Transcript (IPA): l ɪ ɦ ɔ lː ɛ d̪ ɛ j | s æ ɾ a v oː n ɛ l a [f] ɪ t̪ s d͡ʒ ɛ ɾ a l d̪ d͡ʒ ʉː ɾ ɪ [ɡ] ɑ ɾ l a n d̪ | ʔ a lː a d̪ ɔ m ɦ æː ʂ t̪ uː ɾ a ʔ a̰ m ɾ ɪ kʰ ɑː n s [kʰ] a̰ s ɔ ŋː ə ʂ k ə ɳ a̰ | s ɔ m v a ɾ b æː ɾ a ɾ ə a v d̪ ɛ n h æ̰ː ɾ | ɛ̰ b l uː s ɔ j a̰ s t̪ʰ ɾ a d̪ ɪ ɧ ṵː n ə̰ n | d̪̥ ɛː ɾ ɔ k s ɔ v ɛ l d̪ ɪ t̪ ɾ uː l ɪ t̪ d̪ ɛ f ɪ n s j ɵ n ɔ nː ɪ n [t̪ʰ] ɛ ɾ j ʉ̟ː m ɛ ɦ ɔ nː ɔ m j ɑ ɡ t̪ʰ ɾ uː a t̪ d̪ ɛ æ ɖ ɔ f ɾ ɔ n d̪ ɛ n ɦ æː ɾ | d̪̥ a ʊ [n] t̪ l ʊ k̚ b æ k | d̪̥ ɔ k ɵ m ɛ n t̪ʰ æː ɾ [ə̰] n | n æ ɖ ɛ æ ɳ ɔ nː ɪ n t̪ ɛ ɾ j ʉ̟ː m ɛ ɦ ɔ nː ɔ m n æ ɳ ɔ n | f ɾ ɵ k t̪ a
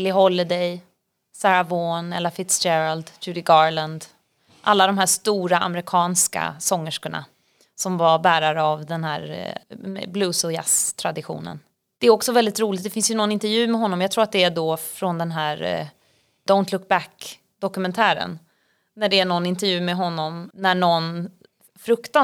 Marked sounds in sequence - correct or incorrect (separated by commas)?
correct, correct, incorrect, incorrect, correct, correct